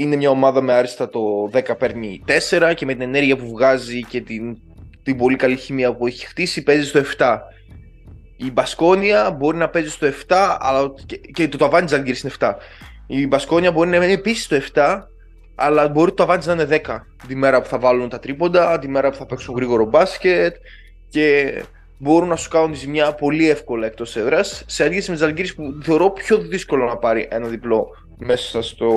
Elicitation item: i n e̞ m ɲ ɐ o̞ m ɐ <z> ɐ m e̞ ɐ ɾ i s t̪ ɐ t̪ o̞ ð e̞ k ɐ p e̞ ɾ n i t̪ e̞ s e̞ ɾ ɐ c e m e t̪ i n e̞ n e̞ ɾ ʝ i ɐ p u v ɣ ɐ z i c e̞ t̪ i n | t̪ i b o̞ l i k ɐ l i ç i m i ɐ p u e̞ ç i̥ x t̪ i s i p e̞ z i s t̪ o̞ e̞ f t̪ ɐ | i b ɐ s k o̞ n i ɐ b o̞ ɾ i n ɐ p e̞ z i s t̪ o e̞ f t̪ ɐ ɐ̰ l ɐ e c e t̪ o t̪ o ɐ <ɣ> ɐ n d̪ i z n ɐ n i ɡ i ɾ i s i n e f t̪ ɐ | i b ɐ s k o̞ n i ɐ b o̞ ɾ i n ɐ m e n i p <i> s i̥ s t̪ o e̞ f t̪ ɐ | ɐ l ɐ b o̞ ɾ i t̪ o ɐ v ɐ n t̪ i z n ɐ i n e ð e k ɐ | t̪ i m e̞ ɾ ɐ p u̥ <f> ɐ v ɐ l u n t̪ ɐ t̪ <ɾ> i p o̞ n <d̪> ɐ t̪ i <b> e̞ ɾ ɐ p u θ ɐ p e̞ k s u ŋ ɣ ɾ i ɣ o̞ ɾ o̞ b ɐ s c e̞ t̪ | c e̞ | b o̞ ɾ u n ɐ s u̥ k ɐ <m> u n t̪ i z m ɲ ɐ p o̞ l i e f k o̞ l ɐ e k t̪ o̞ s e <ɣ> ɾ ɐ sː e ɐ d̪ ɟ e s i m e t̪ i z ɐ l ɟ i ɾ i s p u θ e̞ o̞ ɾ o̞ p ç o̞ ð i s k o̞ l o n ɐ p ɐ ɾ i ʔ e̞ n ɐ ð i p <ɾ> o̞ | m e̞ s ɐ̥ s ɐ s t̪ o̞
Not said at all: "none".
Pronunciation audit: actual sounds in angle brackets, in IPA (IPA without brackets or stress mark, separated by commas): ð, v, i, θ, ɾ, d̪, m, n, ð, l